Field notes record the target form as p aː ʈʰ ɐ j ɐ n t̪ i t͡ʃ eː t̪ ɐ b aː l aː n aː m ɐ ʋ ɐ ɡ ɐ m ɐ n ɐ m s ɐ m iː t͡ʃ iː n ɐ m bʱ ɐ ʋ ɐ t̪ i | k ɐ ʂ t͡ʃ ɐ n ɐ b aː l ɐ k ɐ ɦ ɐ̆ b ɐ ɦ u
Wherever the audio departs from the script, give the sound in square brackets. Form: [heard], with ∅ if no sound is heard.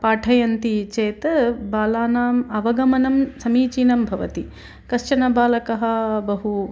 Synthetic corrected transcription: p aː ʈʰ ɐ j ɐ n t̪ i t͡ʃ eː t̪ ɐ b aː l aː n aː m ɐ ʋ ɐ ɡ ɐ m ɐ n ɐ m s ɐ m iː t͡ʃ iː n ɐ m bʱ ɐ ʋ ɐ t̪ i | k ɐ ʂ t͡ʃ ɐ n ɐ b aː l ɐ k ɐ ɦ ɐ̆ b ɐ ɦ u